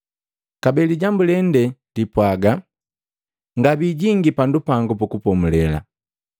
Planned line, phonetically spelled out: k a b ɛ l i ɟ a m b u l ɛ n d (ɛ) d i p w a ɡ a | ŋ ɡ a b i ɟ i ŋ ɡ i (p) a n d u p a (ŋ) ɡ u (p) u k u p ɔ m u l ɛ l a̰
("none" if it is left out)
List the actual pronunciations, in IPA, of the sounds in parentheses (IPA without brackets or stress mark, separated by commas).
ɛ, p, ŋ, p